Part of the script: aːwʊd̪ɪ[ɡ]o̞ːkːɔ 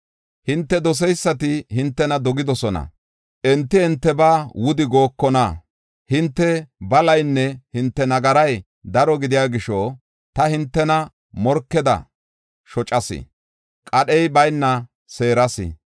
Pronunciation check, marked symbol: correct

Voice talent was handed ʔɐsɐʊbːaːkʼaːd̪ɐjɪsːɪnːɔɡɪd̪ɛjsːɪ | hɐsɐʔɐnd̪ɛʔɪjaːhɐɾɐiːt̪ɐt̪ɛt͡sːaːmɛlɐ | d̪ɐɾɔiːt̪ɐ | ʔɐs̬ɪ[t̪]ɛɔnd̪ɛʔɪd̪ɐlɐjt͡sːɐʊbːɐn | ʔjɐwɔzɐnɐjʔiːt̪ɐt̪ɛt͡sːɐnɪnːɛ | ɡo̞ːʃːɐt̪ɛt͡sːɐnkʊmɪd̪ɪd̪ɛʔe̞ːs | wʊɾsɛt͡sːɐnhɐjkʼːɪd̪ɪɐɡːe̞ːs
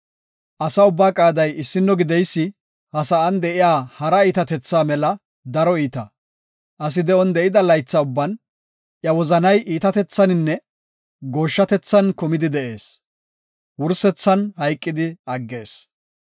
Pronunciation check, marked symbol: incorrect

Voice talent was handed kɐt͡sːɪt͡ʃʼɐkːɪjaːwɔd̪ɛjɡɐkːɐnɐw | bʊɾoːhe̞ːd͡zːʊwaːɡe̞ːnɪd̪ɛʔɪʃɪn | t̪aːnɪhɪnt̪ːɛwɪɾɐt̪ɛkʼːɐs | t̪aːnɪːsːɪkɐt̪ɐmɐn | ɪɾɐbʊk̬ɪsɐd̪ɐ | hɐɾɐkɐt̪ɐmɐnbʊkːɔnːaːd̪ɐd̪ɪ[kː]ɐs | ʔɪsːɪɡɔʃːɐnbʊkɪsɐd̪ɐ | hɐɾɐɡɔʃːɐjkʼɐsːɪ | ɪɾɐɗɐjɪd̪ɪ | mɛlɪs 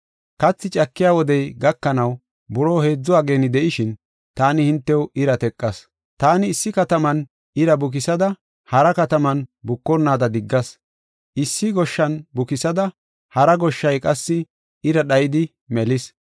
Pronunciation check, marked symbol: incorrect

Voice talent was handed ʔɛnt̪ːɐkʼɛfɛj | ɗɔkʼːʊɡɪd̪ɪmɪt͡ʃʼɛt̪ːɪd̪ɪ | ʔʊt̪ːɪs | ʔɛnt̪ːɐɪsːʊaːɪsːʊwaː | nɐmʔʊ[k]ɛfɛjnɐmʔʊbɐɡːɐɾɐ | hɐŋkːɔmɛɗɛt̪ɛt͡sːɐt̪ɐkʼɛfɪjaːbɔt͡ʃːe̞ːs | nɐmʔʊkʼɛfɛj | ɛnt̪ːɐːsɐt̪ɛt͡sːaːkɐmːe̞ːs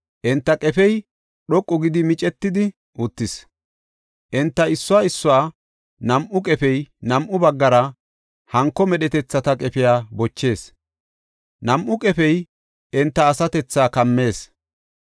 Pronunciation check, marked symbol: incorrect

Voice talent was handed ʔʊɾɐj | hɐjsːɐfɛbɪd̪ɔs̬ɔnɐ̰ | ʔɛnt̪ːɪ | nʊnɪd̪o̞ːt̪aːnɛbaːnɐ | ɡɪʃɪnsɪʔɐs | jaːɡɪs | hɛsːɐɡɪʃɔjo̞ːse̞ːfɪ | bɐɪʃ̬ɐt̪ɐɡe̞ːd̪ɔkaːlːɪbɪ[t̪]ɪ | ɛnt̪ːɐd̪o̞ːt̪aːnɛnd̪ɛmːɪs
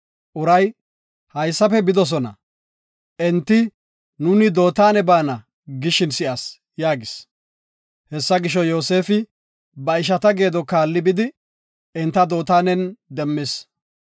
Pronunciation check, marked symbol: incorrect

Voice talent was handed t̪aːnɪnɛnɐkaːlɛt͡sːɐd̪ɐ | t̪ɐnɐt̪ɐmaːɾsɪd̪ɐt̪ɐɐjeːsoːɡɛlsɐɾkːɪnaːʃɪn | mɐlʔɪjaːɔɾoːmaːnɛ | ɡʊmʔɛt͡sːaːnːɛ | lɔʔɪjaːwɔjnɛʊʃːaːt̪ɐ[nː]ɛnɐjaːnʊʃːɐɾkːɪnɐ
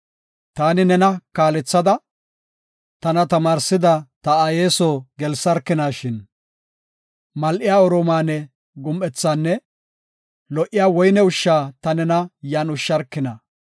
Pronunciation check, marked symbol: incorrect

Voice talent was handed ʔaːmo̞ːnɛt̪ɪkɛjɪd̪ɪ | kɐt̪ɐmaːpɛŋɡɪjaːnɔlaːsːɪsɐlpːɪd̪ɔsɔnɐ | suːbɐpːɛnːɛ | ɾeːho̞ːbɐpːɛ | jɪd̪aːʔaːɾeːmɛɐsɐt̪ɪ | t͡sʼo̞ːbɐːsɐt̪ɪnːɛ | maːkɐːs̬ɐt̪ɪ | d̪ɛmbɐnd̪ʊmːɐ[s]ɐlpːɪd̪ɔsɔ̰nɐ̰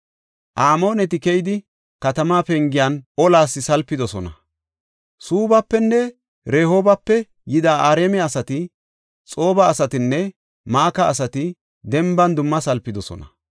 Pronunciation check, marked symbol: correct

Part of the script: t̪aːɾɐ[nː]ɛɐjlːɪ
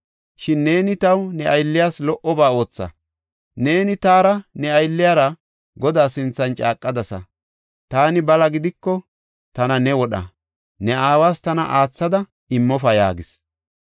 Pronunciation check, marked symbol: incorrect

